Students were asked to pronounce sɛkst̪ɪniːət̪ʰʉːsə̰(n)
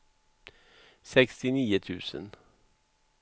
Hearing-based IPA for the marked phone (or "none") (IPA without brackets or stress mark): n